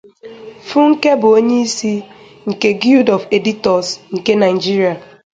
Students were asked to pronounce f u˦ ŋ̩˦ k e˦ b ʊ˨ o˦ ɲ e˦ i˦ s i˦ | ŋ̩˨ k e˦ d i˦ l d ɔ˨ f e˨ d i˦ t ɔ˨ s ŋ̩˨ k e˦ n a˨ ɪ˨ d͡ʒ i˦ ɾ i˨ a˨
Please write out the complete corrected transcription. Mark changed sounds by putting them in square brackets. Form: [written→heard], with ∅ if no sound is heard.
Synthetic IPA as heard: f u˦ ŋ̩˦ k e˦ b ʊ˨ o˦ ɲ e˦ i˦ s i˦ | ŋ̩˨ k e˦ [d→ɡ] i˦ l d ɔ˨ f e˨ d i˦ t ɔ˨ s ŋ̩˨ k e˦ n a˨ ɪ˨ d͡ʒ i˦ ɾ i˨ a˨